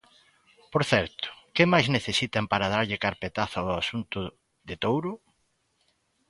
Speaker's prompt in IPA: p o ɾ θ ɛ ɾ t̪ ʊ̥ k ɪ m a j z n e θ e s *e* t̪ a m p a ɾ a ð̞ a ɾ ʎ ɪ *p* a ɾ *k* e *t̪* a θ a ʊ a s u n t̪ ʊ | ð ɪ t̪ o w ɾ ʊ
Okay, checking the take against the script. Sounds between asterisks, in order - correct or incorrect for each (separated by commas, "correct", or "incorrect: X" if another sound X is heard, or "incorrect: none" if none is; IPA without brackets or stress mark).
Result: incorrect: i, incorrect: k, incorrect: p, correct